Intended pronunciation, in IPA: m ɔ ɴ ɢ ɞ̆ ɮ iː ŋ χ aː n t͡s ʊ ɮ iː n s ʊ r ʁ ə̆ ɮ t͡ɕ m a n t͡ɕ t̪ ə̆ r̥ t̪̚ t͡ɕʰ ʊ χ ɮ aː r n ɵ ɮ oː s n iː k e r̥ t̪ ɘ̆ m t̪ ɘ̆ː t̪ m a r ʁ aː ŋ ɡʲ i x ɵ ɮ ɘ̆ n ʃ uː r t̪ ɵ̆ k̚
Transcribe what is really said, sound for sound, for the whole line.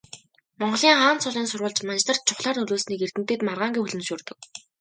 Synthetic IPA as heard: m ɔ ɴ ɢ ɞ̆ ɮ iː ŋ χ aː n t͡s ʊ ɮ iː n s ʊ r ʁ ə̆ ɮ t͡ɕ m a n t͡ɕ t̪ ə̆ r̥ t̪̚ t͡ɕʰ ʊ χ ɮ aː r n ɵ ɮ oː s n iː k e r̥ t̪ ɘ̆ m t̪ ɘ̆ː t̪ m a r ʁ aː ŋ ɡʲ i x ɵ ɮ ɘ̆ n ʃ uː r t̪ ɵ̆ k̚